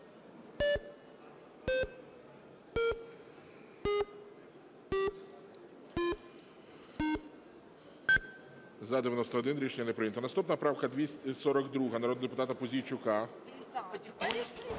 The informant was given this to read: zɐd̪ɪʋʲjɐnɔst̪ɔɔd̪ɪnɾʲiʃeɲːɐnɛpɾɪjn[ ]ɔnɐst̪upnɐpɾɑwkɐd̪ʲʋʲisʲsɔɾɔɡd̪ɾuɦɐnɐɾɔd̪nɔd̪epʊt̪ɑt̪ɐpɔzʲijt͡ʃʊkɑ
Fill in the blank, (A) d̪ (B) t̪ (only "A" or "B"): B